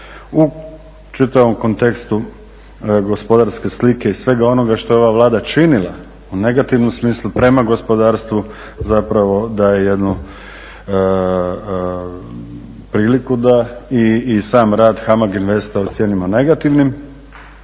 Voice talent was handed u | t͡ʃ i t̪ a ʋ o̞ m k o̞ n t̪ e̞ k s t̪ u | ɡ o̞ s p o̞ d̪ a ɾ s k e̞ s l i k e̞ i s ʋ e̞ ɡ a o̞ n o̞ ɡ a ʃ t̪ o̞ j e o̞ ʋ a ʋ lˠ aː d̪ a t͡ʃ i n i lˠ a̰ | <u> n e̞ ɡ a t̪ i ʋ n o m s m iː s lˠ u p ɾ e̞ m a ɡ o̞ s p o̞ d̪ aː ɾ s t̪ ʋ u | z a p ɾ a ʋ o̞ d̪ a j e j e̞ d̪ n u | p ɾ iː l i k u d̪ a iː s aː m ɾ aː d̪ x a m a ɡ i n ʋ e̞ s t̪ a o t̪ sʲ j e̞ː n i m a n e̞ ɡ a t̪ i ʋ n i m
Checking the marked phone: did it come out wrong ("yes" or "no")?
no